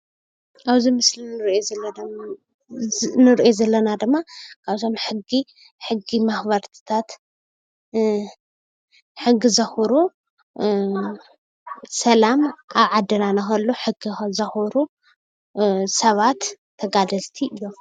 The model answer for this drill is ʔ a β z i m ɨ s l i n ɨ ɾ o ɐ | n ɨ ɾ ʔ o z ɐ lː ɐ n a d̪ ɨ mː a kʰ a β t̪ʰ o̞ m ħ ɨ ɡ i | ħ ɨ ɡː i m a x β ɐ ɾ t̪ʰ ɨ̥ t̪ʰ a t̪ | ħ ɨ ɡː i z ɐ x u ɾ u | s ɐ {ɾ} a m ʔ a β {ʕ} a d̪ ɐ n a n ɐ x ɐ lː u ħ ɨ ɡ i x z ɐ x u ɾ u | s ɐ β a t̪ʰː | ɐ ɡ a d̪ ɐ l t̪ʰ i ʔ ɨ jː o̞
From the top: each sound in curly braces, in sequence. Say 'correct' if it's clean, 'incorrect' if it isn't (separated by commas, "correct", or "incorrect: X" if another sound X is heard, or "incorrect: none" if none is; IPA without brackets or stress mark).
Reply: incorrect: l, correct